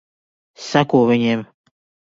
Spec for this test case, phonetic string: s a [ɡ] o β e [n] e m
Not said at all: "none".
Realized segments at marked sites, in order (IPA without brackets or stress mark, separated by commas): k, ɲ